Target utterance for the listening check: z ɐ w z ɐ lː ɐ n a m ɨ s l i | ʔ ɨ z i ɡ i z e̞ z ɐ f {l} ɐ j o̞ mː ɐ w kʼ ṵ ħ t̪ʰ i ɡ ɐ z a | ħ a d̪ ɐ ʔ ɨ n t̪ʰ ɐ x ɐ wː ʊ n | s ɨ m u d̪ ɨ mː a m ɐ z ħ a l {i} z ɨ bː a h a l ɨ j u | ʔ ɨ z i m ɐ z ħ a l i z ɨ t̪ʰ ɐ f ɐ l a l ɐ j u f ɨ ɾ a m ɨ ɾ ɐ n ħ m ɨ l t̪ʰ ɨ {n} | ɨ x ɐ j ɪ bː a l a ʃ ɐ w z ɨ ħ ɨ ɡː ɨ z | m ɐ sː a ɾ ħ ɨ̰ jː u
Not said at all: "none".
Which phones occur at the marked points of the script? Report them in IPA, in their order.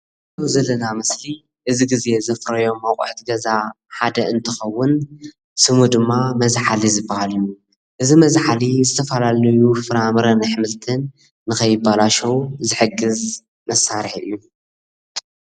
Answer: ɾ, i, nː

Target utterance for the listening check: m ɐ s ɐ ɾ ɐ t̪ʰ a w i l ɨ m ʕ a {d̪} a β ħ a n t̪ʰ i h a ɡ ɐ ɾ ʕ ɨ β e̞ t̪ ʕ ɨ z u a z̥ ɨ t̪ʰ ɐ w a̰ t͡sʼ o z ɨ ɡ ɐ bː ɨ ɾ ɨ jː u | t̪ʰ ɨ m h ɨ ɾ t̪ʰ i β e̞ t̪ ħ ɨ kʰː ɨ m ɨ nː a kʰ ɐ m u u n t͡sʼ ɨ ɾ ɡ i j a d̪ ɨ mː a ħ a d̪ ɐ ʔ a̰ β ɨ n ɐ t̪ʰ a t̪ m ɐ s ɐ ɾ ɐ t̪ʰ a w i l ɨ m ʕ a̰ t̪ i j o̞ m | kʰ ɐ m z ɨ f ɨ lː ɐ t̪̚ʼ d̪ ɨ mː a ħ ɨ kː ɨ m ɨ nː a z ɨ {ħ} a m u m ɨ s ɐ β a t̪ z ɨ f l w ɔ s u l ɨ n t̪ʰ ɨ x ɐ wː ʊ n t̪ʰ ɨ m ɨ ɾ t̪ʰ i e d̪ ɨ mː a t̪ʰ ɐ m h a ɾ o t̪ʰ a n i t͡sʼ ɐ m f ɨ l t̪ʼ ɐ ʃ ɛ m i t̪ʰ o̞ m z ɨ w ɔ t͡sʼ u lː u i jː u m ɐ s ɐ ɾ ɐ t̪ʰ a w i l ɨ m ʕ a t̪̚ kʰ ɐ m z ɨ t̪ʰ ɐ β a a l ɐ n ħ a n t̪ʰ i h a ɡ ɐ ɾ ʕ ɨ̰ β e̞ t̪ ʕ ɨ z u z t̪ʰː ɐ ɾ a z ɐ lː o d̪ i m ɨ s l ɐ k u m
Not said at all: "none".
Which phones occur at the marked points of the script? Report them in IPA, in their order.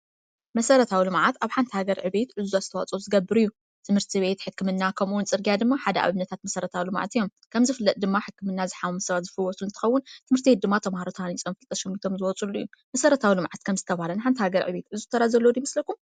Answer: t̪, ħ

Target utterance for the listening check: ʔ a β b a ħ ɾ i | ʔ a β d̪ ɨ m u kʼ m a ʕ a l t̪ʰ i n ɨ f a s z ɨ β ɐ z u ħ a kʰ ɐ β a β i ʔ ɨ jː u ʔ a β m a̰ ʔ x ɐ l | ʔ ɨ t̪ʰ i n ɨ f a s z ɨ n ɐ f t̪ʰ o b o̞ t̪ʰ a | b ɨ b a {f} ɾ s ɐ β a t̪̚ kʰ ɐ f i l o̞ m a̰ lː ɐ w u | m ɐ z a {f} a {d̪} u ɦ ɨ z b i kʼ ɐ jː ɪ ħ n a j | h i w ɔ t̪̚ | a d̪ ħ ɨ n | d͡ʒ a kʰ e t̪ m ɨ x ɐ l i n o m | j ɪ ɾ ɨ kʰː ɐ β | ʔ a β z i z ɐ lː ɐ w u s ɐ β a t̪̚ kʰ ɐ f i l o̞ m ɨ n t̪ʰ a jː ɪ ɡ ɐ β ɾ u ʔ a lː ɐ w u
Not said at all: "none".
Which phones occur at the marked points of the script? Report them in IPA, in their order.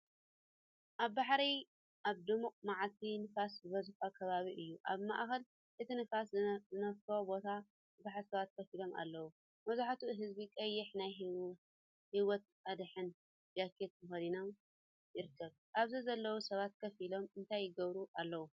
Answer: ħ, ħ, t̪

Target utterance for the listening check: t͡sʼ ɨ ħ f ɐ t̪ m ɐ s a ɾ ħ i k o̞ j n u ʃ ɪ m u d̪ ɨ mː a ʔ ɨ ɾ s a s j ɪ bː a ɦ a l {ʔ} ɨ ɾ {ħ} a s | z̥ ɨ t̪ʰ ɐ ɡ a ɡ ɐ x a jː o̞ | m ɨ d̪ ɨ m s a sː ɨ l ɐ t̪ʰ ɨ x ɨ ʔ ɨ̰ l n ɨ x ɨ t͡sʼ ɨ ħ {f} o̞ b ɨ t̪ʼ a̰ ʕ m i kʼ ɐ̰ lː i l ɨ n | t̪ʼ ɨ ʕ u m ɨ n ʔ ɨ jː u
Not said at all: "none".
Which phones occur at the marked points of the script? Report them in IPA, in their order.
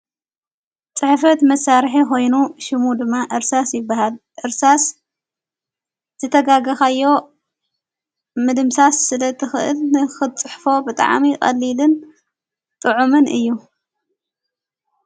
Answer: ʔ, s, f

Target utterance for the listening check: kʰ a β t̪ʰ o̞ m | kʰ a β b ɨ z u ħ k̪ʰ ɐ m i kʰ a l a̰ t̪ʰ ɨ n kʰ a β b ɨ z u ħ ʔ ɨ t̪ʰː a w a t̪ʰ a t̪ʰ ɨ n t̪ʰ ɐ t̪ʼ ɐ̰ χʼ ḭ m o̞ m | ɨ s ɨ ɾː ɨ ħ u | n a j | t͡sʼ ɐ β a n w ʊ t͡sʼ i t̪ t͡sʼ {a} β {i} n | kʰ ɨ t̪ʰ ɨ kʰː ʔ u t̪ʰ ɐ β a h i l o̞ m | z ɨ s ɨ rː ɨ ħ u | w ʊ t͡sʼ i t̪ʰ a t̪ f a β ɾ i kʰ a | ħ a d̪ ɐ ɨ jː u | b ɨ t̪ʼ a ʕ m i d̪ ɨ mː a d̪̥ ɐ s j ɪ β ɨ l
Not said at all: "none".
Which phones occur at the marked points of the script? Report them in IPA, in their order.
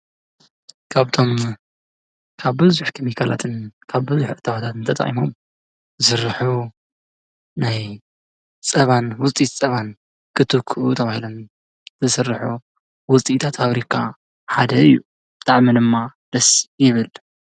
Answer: ɐ, a

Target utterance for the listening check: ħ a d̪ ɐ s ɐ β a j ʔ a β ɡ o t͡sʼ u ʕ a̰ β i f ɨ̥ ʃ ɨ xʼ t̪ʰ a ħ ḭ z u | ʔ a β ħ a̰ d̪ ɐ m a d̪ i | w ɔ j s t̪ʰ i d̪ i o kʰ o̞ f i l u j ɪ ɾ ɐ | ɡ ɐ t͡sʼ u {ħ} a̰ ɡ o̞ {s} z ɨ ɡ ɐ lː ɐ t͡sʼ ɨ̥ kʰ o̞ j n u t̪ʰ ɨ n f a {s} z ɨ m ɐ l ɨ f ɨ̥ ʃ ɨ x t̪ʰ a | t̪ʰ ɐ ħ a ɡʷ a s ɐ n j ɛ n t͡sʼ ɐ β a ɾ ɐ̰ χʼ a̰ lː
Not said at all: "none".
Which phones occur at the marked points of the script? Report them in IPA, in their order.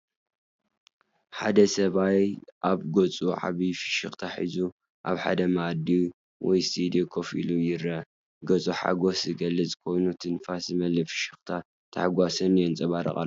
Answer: ħ, s, s

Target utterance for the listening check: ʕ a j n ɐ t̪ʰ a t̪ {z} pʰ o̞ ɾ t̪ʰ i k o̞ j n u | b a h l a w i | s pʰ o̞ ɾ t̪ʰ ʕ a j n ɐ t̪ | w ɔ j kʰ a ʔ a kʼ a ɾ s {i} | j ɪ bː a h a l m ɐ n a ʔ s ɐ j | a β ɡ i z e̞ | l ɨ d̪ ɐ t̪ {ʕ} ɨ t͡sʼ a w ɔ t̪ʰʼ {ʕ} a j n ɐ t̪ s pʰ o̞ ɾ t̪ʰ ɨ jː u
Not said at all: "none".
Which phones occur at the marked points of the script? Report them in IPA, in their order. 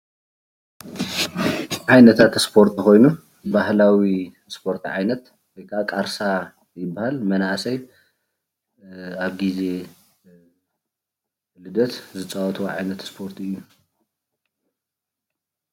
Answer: s, a, z, ʕ

